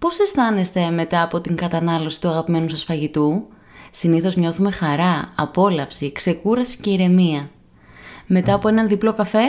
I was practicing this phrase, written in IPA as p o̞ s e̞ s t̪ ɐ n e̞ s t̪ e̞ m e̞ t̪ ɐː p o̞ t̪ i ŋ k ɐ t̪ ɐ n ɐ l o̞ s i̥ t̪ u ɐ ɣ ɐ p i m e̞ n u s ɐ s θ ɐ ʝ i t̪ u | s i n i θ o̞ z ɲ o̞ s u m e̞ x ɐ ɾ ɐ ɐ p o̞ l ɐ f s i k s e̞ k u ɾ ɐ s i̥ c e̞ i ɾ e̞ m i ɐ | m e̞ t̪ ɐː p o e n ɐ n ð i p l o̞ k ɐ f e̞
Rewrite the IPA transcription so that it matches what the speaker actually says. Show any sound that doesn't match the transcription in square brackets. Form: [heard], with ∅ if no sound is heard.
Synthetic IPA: p o̞ s e̞ s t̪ ɐ n e̞ s t̪ e̞ m e̞ t̪ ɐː p o̞ t̪ i ŋ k ɐ t̪ ɐ n ɐ l o̞ s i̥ t̪ u ɐ ɣ ɐ p i m e̞ n u s ɐ s [f] ɐ ʝ i t̪ u | s i n i θ o̞ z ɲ o̞ [θ] u m e̞ x ɐ ɾ ɐ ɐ p o̞ l ɐ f s i k s e̞ k u ɾ ɐ s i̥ c e̞ i ɾ e̞ m i ɐ | m e̞ t̪ ɐː p o e n ɐ n ð i p l o̞ k ɐ f e̞